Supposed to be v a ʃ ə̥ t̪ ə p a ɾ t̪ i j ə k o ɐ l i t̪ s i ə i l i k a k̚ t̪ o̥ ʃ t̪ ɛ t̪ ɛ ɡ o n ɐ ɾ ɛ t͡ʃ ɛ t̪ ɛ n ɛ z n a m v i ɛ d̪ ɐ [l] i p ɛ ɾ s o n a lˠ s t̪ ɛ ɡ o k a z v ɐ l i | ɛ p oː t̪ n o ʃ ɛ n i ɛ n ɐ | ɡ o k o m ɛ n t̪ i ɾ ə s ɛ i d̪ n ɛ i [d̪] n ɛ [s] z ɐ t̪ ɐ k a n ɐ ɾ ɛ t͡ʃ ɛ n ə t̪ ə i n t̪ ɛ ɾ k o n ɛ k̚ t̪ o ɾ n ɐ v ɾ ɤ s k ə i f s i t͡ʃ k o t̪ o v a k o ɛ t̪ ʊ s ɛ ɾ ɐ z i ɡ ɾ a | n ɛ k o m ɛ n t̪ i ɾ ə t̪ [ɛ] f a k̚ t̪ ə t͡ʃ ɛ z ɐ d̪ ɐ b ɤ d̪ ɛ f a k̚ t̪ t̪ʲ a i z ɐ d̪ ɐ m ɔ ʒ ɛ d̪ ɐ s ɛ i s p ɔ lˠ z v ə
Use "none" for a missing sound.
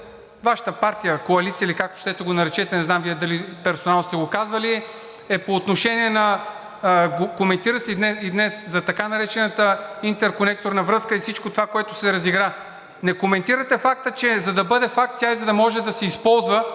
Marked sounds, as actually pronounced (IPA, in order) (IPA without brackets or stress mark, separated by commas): l, d̪, s, ɛ